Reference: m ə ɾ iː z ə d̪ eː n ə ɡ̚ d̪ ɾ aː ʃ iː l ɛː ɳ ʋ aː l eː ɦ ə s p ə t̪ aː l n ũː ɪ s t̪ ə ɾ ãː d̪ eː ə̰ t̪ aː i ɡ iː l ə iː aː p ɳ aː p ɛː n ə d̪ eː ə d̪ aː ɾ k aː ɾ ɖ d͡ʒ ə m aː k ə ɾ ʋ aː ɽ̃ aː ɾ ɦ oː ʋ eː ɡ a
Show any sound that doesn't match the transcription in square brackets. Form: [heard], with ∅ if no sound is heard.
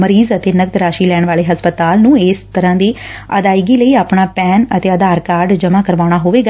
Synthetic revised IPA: m ə ɾ iː z ə [t̪] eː n ə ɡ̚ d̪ ɾ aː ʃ iː l ɛː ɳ ʋ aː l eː ɦ ə s p ə t̪ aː l n ũː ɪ s t̪ ə ɾ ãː d̪ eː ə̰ [d̪] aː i ɡ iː l ə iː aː p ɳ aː p ɛː n ə [t̪] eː ə d̪ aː ɾ k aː ɾ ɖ d͡ʒ ə m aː k ə ɾ ʋ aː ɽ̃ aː [∅] ɦ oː ʋ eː ɡ a